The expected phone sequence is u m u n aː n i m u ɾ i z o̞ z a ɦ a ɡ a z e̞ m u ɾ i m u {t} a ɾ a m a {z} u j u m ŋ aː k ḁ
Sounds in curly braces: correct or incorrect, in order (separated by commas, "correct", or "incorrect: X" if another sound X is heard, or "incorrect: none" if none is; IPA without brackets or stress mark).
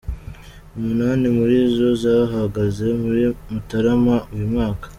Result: correct, incorrect: none